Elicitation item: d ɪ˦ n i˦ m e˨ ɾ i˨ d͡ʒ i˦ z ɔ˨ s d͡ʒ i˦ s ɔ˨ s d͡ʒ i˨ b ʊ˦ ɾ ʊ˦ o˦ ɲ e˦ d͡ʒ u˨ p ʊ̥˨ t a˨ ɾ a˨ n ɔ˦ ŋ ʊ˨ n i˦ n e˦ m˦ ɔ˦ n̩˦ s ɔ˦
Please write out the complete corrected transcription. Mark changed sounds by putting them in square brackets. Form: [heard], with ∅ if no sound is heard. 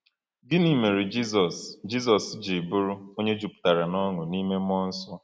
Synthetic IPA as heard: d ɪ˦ n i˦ m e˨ ɾ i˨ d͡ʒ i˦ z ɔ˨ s d͡ʒ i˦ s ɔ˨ s d͡ʒ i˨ b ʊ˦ ɾ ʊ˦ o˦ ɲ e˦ d͡ʒ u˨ p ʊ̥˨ t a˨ ɾ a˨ n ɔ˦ ŋ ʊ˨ n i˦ [m] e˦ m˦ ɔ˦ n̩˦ s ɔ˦

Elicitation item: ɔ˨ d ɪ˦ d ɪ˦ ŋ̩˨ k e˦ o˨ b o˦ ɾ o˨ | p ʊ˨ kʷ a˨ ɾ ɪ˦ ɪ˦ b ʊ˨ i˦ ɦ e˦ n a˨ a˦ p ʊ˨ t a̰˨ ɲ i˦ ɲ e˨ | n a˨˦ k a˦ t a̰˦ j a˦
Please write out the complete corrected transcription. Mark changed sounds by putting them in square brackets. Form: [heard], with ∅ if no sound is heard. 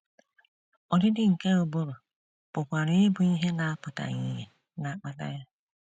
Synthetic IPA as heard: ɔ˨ d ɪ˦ d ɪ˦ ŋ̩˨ k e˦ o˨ b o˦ ɾ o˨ | p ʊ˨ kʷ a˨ ɾ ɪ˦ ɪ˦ b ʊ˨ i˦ ɦ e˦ n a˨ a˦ p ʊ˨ t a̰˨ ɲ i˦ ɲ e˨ | n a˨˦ [k͡p] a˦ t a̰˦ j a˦

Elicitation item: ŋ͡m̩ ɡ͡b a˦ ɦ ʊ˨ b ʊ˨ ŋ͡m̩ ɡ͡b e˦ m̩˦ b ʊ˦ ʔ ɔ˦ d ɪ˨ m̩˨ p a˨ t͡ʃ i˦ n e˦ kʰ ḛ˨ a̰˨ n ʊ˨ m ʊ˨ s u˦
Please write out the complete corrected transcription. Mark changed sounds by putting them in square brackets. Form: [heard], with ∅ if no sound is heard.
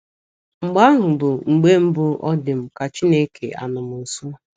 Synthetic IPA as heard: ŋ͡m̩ ɡ͡b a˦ ɦ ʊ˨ b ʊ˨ ŋ͡m̩ ɡ͡b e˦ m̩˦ b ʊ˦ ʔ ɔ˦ d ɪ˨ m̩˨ [k] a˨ t͡ʃ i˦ n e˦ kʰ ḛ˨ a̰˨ n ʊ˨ m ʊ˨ s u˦

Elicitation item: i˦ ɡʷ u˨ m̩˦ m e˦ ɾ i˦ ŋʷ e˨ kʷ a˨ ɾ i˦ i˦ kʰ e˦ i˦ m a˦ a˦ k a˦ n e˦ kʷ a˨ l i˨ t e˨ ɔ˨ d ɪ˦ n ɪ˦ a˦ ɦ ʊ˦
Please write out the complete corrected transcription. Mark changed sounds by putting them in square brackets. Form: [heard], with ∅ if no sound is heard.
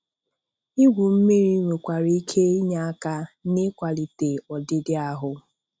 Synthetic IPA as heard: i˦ ɡʷ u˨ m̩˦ m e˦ ɾ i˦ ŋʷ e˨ kʷ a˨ ɾ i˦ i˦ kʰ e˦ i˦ [ɲ] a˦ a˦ k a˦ n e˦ kʷ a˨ l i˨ t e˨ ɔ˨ d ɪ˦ [d] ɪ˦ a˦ ɦ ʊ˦

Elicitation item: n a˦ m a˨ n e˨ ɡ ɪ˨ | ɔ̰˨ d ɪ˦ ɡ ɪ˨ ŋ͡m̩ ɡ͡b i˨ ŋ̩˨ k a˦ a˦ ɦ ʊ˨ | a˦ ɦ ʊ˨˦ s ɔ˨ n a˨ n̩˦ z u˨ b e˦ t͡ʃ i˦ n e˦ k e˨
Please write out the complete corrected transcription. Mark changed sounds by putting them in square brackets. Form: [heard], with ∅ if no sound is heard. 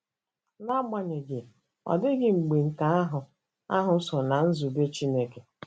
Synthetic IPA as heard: n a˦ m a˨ [ɲ] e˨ ɡ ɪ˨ | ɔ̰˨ d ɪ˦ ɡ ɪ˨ ŋ͡m̩ ɡ͡b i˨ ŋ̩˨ k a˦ a˦ ɦ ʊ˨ | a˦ ɦ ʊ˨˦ s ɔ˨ n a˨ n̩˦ z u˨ b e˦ t͡ʃ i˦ n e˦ k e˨

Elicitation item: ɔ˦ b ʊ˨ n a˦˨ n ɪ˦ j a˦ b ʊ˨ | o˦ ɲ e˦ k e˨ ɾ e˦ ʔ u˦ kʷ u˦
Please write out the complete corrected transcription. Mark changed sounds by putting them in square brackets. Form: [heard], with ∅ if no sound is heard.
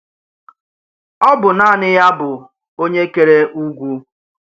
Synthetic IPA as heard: ɔ˦ b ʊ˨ n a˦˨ n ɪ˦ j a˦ b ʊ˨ | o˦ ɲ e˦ k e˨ ɾ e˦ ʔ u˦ [ɡʷ] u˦

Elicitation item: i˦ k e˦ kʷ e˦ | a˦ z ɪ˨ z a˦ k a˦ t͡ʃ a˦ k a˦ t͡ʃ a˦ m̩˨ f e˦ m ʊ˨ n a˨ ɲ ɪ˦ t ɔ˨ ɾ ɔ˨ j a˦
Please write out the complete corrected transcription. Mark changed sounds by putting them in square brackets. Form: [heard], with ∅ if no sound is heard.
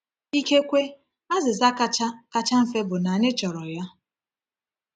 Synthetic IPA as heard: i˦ k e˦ kʷ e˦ | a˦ z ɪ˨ z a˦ k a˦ t͡ʃ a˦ k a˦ t͡ʃ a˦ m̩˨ f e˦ [b] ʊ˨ n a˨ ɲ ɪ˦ [t͡ʃ] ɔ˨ ɾ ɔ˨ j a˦

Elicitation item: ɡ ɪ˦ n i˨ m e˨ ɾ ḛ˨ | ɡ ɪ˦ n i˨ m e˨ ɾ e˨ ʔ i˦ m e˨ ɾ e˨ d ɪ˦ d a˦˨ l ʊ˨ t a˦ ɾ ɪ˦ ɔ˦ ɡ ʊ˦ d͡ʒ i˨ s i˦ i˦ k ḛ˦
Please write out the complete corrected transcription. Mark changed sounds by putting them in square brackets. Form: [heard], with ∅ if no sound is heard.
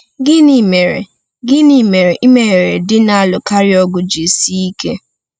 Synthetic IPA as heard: ɡ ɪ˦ n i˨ m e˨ ɾ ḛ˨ | ɡ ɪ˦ n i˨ m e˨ ɾ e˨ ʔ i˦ m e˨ ɾ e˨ d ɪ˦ [n] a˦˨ l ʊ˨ [k] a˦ ɾ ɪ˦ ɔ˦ ɡ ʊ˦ d͡ʒ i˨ s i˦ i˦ k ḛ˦

